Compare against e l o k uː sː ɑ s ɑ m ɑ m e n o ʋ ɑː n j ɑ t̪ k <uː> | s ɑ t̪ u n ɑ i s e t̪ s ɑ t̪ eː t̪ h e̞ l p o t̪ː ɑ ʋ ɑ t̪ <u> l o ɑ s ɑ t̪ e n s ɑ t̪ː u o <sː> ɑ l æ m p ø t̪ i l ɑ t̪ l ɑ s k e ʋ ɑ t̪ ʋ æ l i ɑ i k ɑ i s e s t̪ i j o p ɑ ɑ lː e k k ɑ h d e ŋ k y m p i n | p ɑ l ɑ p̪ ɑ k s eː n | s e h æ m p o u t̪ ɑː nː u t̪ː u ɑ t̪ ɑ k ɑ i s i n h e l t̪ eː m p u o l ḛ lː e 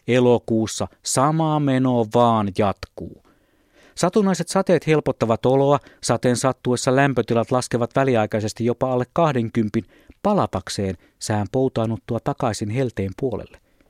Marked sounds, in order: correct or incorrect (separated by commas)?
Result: correct, incorrect, correct